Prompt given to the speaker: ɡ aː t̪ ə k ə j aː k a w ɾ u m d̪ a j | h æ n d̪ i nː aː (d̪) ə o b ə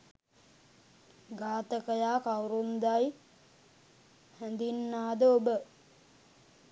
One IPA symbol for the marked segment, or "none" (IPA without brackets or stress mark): d̪